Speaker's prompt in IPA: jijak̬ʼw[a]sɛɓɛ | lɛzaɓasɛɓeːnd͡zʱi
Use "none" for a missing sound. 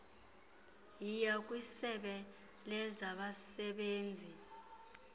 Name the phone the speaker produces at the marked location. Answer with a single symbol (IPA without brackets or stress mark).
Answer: i